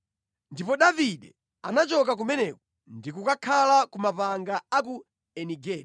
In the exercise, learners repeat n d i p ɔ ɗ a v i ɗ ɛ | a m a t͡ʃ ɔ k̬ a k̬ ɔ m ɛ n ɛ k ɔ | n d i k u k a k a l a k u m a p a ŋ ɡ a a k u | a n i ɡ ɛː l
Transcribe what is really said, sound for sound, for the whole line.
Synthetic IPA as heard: n d i p ɔ ɗ a v i ɗ ɛ | a n a t͡ʃ ɔ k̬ a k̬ u m ɛ n ɛ k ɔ | n d i k u k a kʰ a l a k u m a p a ŋ ɡ a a k u | ɛ n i ɡ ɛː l